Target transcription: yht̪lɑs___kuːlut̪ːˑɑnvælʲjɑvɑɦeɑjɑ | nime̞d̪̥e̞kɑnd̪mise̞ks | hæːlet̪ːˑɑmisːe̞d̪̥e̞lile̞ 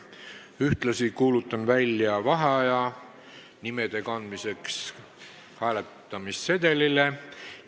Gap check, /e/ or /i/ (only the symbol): i